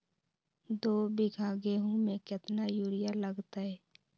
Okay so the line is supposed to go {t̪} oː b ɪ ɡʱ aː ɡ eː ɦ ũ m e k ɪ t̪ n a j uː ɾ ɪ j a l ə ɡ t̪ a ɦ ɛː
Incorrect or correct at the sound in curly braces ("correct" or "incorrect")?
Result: incorrect